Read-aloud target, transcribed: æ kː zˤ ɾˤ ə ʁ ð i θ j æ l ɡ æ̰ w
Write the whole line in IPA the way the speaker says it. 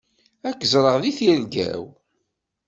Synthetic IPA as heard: æ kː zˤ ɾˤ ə ʁ ð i θ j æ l ɡ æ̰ w